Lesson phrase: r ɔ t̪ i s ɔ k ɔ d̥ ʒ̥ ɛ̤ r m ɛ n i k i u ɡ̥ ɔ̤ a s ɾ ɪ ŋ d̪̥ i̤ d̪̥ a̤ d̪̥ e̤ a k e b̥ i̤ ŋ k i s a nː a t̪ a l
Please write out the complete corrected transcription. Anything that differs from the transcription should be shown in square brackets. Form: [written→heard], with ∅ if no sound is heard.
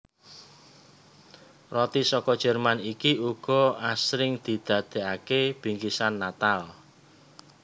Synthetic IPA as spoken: r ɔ t̪ i s ɔ k ɔ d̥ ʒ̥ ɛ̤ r m [ɛ→a] n i k i u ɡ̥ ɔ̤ a s ɾ ɪ ŋ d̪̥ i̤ d̪̥ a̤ d̪̥ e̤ a k e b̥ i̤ ŋ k i s a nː a t̪ a l